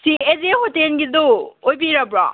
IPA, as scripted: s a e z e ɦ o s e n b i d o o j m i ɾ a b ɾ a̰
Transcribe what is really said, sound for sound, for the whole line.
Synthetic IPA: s i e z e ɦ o t e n ɡ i d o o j b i ɾ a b ɾ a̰

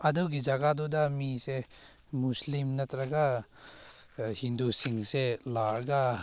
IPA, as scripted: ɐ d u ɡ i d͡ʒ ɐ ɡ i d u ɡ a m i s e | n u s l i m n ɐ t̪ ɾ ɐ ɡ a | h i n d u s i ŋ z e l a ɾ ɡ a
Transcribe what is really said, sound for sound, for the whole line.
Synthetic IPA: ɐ d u ɡ i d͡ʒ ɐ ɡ a d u d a m i s e | m u s l i m n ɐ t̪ ɾ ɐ ɡ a | h i n d u s i ŋ s e l a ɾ ɡ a

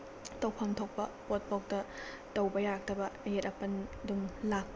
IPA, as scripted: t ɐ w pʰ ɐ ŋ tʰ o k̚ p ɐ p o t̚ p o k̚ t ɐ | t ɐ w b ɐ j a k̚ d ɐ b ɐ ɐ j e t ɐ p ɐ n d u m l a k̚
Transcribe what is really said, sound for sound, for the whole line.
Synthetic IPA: t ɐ w pʰ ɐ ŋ tʰ o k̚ p ɐ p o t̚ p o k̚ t ɐ | t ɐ w b ɐ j a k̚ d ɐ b ɐ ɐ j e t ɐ p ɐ n d u m l a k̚

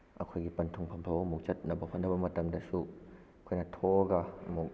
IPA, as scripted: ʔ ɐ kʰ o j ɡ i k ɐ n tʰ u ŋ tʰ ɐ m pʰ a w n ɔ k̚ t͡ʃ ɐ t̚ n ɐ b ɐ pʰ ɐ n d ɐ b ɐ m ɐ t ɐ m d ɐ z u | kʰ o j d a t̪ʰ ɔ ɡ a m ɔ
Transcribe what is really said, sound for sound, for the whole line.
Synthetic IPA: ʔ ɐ kʰ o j ɡ i p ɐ n tʰ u ŋ pʰ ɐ m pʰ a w m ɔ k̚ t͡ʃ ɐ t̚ n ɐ b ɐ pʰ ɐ n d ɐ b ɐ m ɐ t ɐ m d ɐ s u | kʰ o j n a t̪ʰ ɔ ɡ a m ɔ

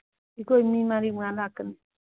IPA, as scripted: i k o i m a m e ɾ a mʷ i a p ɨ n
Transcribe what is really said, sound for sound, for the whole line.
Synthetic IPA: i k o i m i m a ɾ i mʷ a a k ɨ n

